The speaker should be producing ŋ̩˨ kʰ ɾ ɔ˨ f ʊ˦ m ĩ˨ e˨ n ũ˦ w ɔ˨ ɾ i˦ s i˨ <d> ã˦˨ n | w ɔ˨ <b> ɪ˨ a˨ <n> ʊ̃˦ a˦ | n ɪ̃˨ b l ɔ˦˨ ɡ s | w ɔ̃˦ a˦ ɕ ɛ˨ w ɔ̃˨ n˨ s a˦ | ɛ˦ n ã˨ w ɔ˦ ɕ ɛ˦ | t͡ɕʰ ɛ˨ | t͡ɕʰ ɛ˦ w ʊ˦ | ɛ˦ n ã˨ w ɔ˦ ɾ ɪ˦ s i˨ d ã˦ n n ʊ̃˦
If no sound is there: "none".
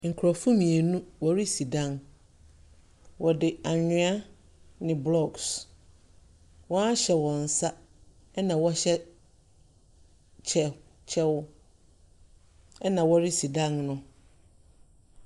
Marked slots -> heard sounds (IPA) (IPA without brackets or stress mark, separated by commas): d, d, ɲ